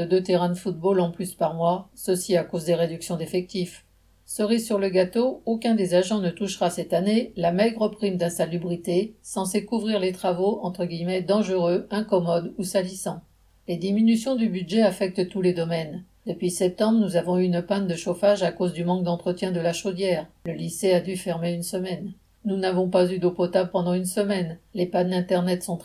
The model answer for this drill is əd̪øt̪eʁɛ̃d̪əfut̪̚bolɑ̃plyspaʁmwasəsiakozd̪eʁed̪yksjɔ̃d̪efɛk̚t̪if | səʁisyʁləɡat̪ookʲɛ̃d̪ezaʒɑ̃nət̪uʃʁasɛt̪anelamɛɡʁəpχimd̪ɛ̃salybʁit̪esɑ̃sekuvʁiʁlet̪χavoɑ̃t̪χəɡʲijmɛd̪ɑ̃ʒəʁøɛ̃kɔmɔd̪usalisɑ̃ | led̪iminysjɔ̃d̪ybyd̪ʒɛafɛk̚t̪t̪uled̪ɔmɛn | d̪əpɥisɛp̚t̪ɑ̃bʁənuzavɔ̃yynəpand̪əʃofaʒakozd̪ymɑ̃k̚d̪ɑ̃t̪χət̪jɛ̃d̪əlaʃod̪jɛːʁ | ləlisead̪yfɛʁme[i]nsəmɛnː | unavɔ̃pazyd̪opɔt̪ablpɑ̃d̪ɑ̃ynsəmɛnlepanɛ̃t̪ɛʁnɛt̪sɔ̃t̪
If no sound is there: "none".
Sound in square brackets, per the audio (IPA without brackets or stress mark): y